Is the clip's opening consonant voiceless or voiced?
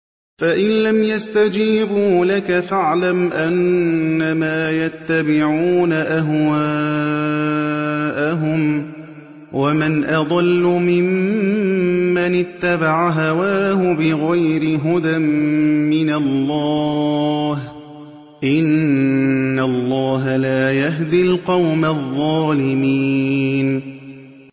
voiceless